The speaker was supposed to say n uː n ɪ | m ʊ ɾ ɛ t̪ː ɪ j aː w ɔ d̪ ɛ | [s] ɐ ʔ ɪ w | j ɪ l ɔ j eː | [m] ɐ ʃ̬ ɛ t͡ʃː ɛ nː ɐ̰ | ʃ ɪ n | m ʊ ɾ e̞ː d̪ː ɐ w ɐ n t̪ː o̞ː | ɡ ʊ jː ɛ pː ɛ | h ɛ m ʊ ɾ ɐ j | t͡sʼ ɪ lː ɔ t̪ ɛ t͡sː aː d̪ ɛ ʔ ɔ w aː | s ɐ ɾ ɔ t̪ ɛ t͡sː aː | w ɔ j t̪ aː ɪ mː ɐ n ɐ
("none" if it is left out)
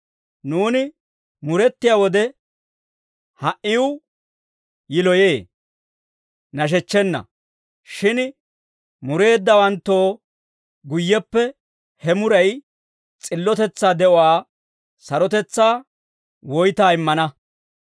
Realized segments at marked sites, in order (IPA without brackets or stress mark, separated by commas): h, n